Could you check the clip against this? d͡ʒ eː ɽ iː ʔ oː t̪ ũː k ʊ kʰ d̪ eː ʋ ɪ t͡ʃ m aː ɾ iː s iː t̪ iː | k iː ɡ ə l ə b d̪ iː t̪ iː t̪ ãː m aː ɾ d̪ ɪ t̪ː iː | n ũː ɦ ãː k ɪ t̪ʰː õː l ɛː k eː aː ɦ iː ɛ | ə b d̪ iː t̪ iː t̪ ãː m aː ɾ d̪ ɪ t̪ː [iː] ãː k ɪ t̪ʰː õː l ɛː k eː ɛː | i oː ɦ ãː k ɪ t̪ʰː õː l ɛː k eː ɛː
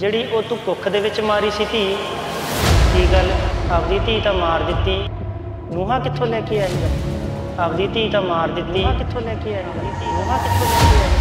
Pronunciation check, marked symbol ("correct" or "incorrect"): correct